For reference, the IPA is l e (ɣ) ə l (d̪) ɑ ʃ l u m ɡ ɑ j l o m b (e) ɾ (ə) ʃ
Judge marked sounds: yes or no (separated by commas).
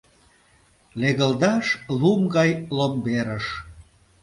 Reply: yes, yes, yes, yes